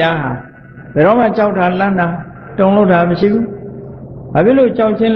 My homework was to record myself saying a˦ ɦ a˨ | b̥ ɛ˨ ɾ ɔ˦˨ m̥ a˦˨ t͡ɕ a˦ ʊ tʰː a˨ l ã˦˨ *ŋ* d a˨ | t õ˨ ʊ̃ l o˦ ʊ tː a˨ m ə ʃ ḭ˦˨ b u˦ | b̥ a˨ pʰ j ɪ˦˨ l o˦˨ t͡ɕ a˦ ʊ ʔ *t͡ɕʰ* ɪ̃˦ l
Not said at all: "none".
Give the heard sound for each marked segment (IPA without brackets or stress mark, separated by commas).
n, t͡ɕʰ